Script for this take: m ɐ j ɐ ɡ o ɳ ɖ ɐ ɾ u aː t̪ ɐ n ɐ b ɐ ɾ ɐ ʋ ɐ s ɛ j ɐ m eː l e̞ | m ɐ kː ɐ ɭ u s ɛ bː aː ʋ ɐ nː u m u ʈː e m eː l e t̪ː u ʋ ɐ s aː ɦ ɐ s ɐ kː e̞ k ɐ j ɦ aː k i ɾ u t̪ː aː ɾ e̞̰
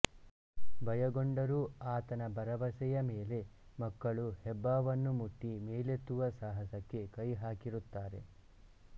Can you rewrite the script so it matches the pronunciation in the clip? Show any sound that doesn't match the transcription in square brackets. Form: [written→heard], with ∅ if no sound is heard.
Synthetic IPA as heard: [m→b] ɐ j ɐ ɡ o ɳ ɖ ɐ ɾ u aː t̪ ɐ n ɐ b ɐ ɾ ɐ ʋ ɐ s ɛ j ɐ m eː l e̞ | m ɐ kː ɐ ɭ u [s→h] ɛ bː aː ʋ ɐ nː u m u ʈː [e→i] m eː l e t̪ː u ʋ ɐ s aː ɦ ɐ s ɐ kː e̞ k ɐ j ɦ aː k i ɾ u t̪ː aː ɾ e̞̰